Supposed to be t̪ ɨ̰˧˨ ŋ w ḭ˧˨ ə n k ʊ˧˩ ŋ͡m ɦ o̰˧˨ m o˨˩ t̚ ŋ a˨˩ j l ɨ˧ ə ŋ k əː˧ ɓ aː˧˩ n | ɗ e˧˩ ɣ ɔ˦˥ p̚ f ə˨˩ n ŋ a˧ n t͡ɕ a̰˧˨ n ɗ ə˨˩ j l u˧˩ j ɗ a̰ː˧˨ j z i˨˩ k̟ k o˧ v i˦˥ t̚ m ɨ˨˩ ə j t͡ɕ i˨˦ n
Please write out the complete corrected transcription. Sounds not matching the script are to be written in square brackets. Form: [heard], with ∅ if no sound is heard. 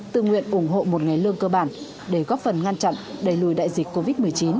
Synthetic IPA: t̪ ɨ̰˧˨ ŋ w ḭ˧˨ ə n [ʔ] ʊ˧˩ ŋ͡m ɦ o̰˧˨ m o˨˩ t̚ ŋ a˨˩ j l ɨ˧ ə ŋ k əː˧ ɓ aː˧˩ n | ɗ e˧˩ ɣ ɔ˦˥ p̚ f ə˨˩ n ŋ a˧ n t͡ɕ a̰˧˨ n ɗ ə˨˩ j l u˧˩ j ɗ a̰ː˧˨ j z i˨˩ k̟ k o˧ v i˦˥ t̚ m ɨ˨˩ ə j t͡ɕ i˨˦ n